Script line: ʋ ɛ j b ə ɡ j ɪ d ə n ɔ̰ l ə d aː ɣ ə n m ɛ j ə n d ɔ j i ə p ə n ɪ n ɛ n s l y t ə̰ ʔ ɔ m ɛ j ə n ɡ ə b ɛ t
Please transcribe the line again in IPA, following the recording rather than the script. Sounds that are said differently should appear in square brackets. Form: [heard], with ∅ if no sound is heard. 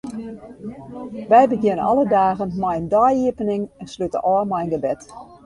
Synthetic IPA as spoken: ʋ ɛ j b ə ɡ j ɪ [n] ə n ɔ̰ l ə d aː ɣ ə n m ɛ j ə n d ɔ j i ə p ə n ɪ [ŋ] ɛ n s l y t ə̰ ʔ ɔ m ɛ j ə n ɡ ə b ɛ t